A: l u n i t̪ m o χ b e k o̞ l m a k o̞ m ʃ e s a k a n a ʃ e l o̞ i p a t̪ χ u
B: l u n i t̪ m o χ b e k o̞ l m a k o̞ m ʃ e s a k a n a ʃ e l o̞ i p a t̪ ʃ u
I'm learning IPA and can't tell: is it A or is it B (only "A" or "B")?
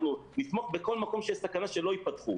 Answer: A